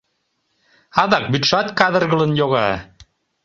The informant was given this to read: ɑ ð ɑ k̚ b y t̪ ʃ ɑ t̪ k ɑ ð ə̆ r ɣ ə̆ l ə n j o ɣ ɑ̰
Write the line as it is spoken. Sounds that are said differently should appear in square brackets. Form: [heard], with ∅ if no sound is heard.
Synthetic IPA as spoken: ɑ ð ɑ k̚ b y t̪ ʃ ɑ t̪ k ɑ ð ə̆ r ɣ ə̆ l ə n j o ɣ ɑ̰